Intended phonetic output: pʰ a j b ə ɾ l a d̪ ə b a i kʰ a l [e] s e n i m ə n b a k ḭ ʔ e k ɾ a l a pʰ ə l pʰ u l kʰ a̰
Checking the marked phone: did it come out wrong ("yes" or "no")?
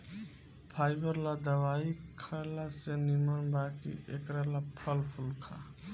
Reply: yes